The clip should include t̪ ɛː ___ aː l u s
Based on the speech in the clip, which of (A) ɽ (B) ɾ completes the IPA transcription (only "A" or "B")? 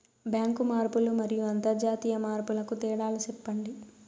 A